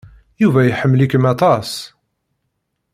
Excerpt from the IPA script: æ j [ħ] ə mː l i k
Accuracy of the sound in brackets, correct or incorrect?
correct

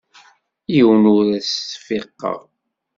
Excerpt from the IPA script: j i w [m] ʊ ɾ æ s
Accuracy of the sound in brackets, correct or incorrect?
incorrect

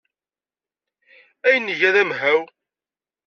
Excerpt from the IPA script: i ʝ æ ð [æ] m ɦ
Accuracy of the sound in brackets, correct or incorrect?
correct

